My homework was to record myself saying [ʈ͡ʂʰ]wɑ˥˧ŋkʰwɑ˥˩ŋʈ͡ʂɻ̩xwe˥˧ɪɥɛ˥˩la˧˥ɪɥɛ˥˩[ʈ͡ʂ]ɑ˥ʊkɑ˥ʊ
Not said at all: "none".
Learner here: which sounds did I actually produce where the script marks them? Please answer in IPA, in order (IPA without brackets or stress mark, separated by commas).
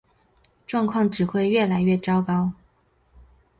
ʈ͡ʂ, ʈ͡ʂ